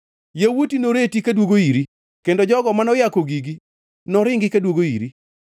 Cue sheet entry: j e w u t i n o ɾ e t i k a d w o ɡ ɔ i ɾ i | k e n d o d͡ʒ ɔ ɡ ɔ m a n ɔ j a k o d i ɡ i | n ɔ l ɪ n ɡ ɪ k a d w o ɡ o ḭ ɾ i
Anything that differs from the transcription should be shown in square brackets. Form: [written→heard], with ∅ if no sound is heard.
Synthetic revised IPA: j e w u t i n o ɾ e t i k a d w o ɡ [ɔ→o] i ɾ i | k e n d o d͡ʒ ɔ ɡ ɔ m a n ɔ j a k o [d→ɡ] i ɡ i | n ɔ [l→ɾ] ɪ [n→ŋ] ɡ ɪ k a d w o ɡ o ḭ ɾ i